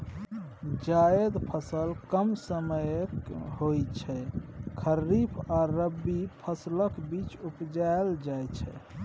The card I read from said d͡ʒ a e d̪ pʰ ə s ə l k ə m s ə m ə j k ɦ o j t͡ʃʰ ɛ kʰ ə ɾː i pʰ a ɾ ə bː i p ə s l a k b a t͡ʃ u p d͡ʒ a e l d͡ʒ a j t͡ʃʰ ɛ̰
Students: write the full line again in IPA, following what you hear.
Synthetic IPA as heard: d͡ʒ a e d̪ pʰ ə s ə l k ə m s ə m ə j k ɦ o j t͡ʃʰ ɛ kʰ ə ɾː i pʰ a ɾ ə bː i pʰ ə s l ə k b i t͡ʃ u p d͡ʒ a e l d͡ʒ a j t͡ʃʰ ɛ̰

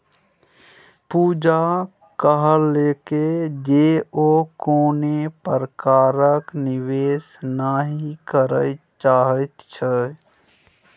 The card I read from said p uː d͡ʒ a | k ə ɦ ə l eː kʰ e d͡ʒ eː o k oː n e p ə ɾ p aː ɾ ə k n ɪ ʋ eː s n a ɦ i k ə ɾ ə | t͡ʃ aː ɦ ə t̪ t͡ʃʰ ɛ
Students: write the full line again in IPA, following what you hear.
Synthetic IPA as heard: p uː d͡ʒ a | k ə ɦ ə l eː k e d͡ʒ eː o k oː n e p ə ɾ k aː ɾ ə k n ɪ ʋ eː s n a ɦ i k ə ɾ ə | t͡ʃ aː ɦ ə t̪ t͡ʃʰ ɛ

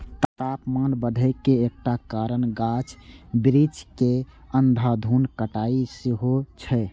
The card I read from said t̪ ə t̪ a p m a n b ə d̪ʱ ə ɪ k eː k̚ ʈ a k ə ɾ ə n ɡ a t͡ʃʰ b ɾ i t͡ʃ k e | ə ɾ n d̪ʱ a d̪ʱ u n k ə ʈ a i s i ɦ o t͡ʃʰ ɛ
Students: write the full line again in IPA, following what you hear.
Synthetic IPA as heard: t̪ ə t̪ a p m a n b ə d̪ʱ ə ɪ k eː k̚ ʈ a k a ɾ ə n ɡ a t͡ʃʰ b ɾ i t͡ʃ k e | ə n d̪ʱ a d̪ʱ u n k ə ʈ a i s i ɦ o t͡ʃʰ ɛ

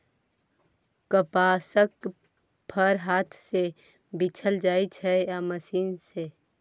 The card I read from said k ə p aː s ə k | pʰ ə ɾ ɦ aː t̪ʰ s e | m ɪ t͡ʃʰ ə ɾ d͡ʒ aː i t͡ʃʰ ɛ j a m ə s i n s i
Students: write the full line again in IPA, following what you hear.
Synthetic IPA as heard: k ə p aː s ə k | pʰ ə ɾ ɦ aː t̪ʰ s e | b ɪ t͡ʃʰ ə l d͡ʒ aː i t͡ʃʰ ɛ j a m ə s iː n s e

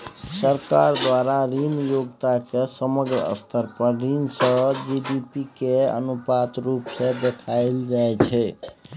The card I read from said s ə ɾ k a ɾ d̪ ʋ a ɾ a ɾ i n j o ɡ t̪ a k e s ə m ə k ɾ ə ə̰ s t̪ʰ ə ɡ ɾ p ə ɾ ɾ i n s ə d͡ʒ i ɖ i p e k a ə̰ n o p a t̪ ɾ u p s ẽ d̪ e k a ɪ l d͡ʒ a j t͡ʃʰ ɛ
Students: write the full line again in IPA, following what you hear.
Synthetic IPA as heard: s ə ɾ k a ɾ d̪ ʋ a ɾ a ɾ i n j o ɡ t̪ a k e s ə m ə ɡ ɾ ə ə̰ s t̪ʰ ə ɾ p ə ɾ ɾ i n s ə d͡ʒ i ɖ i p i k e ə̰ n u p a t̪ ɾ u p s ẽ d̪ e kʰ a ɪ l d͡ʒ a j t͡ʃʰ ɛ

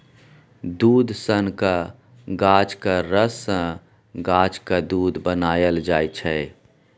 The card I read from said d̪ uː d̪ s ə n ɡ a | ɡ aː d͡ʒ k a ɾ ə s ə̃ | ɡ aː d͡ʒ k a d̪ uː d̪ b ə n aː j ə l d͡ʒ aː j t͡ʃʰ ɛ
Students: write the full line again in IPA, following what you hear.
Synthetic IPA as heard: d̪ uː d̪ s ə n k a | ɡ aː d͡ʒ k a ɾ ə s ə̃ | ɡ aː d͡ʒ k a d̪ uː d̪ b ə n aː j ə l d͡ʒ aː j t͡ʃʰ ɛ

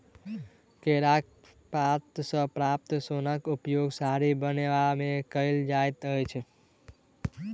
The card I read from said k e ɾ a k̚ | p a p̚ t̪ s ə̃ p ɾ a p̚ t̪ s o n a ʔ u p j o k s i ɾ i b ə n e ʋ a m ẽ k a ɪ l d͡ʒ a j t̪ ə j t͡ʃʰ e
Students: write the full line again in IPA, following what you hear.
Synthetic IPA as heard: k e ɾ a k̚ | p a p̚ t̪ s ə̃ p ɾ a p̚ t̪ s o n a k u p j o ɡ s a ɾ i b ə n e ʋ a m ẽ k ə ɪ l d͡ʒ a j t̪ ə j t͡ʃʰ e

